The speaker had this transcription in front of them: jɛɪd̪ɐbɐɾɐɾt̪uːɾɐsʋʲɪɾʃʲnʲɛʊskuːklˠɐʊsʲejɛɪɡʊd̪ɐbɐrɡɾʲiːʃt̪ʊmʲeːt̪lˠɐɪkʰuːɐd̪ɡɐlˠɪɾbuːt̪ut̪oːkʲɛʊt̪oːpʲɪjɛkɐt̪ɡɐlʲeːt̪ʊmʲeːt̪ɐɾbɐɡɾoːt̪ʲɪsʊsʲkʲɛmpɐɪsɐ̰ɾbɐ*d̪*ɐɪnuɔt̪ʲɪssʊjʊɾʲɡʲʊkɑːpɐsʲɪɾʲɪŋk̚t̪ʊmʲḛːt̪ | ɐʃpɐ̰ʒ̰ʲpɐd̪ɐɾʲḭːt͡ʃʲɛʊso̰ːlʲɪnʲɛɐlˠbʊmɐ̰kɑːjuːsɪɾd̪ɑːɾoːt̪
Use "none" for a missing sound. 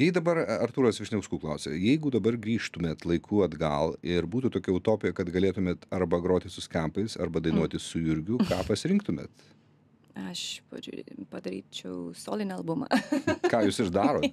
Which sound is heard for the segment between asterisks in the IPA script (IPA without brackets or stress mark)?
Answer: d̪